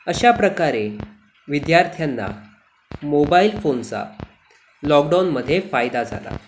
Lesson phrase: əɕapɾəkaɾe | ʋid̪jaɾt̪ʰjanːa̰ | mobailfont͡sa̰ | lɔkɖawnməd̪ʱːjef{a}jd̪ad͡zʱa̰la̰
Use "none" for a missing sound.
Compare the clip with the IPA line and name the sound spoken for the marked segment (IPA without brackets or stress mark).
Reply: a